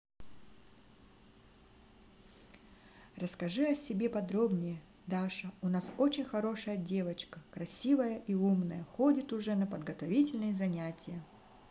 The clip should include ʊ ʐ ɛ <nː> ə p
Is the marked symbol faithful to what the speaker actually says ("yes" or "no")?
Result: no